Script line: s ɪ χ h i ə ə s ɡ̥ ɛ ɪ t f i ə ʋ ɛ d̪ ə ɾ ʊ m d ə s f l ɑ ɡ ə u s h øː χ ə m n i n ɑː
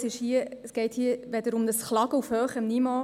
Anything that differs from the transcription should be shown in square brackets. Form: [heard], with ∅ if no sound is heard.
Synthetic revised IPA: s ɪ [ʃ] h i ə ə s ɡ̥ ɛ ɪ t [h] i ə ʋ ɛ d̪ ə ɾ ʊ m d ə s [χ] l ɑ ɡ ə u [f] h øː χ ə m n i [m] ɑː